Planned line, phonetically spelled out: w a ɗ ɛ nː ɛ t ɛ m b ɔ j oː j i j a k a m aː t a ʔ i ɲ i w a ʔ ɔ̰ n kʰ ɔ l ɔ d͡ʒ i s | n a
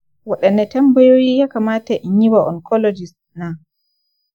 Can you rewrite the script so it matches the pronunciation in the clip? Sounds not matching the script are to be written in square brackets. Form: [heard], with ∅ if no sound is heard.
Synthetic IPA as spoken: w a ɗ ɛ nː ɛ t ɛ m b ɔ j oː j i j a k a m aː t a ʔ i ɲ i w a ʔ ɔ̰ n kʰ ɔ l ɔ d͡ʒ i s | n a